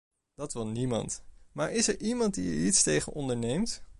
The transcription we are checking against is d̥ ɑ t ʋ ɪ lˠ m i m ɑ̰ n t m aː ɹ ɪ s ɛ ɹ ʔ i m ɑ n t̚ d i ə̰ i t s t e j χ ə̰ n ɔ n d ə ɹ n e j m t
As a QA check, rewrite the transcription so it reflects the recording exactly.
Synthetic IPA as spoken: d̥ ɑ t ʋ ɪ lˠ n i m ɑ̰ n t m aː ɹ ɪ s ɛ ɹ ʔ i m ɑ n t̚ d i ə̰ i t s t e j χ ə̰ n ɔ n d ə ɹ n e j m t